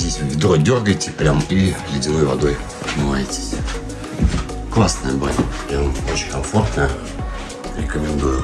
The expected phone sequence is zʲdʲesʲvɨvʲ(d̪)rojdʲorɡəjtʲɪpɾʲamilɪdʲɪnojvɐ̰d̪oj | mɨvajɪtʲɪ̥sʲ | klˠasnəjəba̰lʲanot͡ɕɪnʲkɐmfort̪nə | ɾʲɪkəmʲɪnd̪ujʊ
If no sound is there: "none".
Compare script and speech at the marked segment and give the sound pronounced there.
d̪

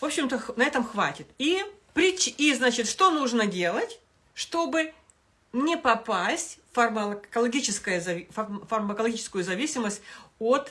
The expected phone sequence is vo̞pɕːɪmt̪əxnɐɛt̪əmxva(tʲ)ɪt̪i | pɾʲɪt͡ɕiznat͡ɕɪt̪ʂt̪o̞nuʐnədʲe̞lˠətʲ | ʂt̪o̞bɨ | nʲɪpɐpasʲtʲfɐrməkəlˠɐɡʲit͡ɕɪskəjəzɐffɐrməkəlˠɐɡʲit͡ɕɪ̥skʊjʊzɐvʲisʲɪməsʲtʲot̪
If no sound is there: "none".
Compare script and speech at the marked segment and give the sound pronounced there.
tʲ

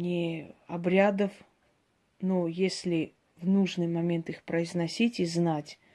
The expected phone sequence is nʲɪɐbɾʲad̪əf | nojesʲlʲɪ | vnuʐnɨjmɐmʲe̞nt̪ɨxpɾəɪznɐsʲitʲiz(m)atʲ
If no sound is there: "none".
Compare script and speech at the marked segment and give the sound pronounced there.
n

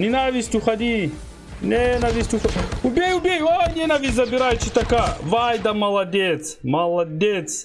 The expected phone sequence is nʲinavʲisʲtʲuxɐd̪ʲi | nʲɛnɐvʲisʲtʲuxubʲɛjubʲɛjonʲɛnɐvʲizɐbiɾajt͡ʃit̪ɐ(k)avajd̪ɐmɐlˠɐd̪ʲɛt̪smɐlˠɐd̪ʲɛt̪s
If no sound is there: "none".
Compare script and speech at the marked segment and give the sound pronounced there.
k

